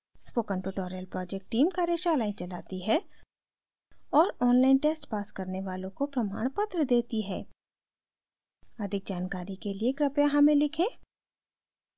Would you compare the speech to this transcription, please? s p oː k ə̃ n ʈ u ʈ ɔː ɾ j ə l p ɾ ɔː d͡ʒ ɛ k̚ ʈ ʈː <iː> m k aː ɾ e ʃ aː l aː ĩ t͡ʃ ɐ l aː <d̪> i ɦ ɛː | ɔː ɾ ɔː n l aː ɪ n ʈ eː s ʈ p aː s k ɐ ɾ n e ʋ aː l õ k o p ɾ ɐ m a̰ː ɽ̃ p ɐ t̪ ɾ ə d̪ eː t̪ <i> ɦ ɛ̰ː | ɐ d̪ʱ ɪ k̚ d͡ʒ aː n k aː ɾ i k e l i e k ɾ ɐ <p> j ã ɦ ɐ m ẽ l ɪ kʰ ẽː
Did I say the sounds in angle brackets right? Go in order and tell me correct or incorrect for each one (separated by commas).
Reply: correct, incorrect, correct, correct